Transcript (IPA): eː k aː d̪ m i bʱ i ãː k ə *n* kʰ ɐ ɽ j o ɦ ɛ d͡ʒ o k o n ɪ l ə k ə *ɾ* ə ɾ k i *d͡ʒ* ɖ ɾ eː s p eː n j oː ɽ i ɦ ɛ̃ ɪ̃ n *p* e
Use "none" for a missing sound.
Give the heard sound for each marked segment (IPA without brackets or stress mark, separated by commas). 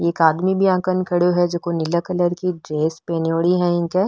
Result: n, l, none, k